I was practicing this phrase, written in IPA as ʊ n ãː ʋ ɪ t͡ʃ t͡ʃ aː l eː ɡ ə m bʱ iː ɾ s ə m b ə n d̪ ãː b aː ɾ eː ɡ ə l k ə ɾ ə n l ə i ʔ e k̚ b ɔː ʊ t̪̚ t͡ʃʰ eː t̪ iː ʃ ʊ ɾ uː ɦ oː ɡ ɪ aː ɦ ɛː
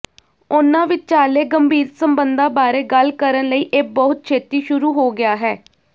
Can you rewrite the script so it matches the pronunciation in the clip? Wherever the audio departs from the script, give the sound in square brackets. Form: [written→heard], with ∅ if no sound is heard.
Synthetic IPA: ʊ n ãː ʋ ɪ t͡ʃ t͡ʃ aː l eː ɡ ə m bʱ iː ɾ s ə m b ə n d̪ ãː b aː ɾ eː ɡ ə l k ə ɾ ə n l ə [i→iː] ʔ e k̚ b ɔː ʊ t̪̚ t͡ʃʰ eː t̪ iː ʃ ʊ ɾ uː ɦ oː ɡ ɪ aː ɦ ɛː